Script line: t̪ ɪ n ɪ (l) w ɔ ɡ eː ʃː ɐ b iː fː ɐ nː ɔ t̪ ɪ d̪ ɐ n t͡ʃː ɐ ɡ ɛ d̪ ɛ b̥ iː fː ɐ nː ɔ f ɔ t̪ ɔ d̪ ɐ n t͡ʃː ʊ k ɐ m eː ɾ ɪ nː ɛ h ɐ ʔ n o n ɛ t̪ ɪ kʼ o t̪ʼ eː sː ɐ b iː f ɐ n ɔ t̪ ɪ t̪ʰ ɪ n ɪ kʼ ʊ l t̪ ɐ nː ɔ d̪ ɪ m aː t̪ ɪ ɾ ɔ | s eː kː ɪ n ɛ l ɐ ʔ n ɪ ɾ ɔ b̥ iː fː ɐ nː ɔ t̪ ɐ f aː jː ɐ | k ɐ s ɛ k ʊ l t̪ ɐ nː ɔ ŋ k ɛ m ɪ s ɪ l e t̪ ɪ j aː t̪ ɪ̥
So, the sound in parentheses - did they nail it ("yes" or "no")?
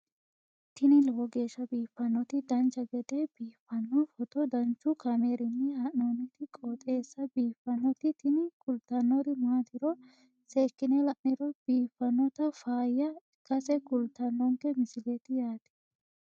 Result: yes